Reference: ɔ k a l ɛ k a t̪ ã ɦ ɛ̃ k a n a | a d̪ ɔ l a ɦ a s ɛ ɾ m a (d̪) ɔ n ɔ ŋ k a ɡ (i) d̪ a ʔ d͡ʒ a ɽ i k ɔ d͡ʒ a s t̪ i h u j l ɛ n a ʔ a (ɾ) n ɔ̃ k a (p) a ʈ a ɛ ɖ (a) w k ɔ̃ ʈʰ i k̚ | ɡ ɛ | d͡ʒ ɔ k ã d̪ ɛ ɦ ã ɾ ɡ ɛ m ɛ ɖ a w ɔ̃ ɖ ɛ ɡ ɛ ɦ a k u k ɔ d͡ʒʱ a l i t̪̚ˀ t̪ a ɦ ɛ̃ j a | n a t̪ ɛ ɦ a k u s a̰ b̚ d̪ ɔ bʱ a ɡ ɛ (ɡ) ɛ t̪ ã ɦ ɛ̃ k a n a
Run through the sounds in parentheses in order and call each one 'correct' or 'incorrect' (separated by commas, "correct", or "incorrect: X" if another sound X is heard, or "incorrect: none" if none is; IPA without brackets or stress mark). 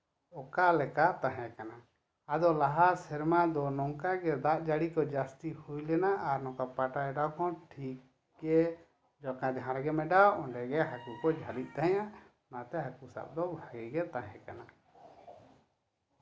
correct, incorrect: ɛ, correct, correct, correct, correct